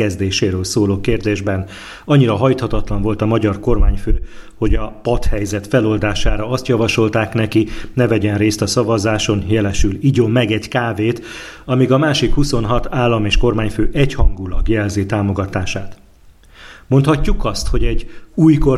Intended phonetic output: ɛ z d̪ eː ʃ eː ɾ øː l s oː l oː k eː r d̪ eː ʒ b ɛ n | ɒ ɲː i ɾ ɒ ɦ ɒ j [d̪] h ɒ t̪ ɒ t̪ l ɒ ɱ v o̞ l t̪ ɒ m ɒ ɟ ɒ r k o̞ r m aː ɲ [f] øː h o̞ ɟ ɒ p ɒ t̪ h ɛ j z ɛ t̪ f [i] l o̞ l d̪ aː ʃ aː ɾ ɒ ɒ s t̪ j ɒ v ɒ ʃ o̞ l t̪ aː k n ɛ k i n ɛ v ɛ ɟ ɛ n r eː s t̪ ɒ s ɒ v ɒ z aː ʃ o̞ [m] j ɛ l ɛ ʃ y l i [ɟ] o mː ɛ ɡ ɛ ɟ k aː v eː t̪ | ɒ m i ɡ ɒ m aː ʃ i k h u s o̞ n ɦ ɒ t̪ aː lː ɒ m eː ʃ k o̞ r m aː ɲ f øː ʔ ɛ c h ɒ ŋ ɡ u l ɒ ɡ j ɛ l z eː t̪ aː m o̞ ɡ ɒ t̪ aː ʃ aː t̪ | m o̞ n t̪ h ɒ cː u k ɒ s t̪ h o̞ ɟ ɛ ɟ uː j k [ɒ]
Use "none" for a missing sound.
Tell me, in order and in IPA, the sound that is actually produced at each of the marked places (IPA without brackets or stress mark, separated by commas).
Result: t̪, f, ɛ, n, ɟ, o